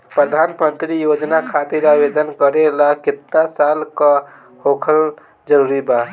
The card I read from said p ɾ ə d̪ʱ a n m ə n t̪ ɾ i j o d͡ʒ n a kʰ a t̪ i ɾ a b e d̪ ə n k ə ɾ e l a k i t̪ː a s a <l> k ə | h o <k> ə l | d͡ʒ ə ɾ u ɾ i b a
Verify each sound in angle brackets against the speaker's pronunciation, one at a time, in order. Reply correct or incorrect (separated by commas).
correct, incorrect